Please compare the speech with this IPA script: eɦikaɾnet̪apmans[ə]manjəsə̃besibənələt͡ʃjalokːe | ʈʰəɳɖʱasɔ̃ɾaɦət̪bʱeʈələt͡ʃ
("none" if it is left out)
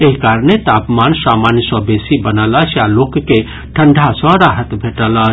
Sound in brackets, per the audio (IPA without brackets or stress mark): a